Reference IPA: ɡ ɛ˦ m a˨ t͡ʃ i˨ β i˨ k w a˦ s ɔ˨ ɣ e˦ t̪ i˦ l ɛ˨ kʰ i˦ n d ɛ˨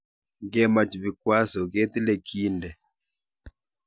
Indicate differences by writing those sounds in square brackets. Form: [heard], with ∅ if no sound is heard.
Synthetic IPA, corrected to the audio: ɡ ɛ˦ m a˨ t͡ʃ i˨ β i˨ k w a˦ s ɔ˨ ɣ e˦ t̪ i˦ l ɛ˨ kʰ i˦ n d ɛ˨